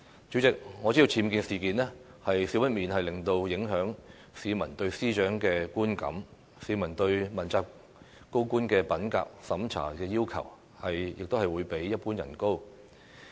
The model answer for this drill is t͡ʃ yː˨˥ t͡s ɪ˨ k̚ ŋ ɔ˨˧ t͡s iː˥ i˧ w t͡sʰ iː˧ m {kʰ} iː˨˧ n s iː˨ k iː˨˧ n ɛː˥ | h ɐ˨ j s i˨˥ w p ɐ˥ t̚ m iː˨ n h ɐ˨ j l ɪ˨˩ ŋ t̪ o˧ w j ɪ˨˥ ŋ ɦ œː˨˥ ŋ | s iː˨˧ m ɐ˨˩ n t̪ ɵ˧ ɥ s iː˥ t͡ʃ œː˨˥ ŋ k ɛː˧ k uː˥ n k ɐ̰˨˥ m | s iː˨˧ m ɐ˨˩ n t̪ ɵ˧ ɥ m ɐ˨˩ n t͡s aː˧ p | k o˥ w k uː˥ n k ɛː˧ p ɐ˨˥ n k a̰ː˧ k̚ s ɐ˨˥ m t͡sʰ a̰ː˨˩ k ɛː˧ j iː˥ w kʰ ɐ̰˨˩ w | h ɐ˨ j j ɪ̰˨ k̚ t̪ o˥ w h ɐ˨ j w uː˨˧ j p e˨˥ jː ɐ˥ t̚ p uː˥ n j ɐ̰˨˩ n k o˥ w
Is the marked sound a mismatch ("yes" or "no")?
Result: yes